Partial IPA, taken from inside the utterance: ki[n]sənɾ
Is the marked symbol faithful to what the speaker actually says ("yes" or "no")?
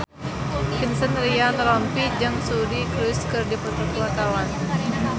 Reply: yes